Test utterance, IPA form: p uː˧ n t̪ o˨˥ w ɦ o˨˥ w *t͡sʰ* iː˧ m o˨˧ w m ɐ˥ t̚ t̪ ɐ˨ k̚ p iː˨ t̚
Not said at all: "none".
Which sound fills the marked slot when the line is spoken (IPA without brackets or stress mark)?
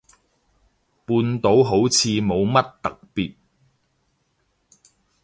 t͡sʰ